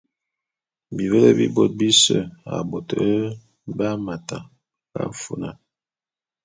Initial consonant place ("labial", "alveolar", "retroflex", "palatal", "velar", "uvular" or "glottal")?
labial